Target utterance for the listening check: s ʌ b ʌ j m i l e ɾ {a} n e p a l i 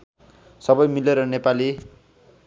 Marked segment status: incorrect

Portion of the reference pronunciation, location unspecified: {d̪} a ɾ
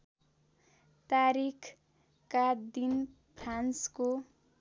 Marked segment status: incorrect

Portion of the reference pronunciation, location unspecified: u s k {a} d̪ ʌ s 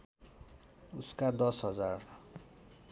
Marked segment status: correct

